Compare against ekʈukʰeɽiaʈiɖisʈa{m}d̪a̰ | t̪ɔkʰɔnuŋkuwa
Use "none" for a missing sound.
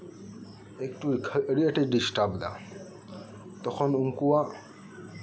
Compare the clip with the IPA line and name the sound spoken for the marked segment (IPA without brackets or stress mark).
b